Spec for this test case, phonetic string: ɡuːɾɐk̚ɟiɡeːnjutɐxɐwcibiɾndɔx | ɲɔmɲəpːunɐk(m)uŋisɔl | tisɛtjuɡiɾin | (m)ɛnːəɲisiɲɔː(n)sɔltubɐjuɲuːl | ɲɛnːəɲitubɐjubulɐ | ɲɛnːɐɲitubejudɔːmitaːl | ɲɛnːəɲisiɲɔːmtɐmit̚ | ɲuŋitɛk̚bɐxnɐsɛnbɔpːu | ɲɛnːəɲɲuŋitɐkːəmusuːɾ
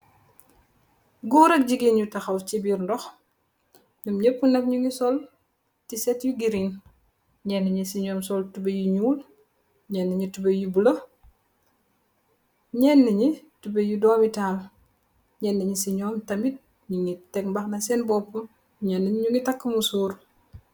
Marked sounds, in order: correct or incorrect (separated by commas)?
incorrect, incorrect, incorrect